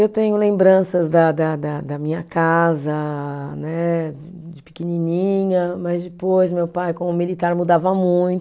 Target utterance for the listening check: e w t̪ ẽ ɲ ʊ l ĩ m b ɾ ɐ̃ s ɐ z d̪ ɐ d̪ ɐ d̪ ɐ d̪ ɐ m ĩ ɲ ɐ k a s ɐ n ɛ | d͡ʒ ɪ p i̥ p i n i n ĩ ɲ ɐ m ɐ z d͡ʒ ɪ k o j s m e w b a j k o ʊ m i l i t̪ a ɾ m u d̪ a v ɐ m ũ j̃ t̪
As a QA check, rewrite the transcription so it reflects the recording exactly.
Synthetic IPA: e w t̪ ẽ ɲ ʊ l ẽ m b ɾ ɐ̃ s ɐ z d̪ ɐ d̪ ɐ d̪ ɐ d̪ ɐ m ĩ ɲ ɐ k a z ɐ n ɛ | d͡ʒ ɪ p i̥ k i n i n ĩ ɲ ɐ m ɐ z d͡ʒ ɪ p o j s m e w p a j k õ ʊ m i l i t̪ a ɾ m u d̪ a v ɐ m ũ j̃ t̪